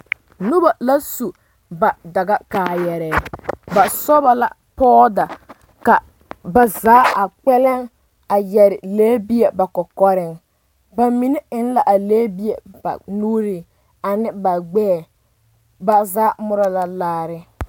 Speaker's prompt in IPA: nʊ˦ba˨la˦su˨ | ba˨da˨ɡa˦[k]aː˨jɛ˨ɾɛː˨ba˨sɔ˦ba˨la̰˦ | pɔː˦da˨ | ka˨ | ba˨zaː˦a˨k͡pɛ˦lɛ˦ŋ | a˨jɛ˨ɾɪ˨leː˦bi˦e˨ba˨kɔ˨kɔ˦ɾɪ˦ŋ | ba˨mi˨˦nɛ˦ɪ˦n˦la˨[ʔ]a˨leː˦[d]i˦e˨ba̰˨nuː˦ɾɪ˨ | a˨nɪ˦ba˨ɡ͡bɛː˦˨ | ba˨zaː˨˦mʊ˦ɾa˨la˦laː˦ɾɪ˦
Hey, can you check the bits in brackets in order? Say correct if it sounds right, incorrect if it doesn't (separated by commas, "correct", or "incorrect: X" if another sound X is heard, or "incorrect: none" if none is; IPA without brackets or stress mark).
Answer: correct, correct, incorrect: b